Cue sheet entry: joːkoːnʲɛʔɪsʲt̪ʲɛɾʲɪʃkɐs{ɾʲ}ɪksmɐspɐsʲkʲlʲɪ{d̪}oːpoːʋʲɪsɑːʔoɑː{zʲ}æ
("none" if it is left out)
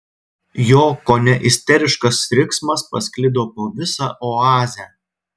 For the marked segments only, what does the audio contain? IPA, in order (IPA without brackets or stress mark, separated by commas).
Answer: ɾʲ, d̪, zʲ